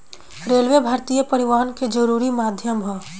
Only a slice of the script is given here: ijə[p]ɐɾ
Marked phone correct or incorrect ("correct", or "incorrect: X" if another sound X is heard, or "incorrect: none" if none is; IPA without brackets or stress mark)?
correct